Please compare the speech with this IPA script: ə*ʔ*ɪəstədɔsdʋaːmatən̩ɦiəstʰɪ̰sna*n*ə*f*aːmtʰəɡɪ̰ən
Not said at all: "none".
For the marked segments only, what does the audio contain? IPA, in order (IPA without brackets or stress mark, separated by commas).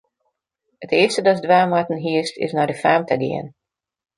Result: t, d, f